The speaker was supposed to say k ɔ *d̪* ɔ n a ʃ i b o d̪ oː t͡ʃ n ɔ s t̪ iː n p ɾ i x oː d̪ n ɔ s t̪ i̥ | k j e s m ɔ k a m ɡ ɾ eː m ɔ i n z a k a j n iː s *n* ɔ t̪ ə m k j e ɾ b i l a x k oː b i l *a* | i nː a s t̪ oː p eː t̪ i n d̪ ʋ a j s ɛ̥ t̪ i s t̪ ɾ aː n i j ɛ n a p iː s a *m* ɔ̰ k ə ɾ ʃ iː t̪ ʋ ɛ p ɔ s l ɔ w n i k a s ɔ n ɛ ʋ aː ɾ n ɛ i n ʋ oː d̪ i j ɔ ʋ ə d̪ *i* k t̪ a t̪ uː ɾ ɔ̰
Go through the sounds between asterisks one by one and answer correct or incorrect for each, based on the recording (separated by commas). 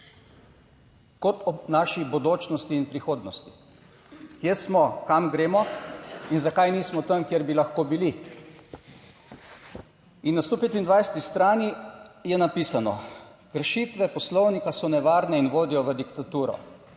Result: incorrect, incorrect, incorrect, incorrect, correct